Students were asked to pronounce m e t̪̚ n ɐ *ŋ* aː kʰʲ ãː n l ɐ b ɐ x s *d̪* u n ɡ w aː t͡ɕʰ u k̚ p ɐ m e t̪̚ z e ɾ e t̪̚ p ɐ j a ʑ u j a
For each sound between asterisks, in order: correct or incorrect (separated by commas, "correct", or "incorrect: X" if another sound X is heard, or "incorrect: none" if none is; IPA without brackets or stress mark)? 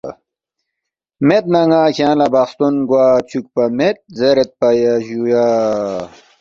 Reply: correct, incorrect: t̪